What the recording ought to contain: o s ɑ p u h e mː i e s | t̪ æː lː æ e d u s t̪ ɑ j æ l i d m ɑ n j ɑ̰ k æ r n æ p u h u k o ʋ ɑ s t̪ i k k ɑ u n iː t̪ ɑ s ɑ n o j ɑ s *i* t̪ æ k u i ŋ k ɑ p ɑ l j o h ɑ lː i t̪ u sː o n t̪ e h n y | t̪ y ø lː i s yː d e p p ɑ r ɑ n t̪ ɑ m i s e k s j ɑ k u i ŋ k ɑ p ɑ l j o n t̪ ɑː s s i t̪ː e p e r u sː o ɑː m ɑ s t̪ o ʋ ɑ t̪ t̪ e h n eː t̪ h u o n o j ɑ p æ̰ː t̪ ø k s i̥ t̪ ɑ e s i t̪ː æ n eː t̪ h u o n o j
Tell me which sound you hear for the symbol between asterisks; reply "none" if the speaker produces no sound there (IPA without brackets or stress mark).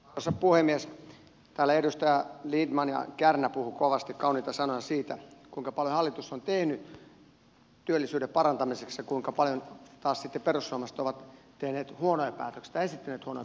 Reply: iː